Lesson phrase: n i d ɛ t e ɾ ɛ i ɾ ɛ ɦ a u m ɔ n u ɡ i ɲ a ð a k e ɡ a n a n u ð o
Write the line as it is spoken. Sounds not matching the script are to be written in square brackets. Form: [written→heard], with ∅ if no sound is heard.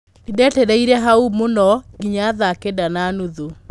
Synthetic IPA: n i d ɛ t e ɾ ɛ i ɾ ɛ ɦ a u m [ɔ→o] n [u→ɔ] ɡ i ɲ a ð a k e [ɡ→d] a n a n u ð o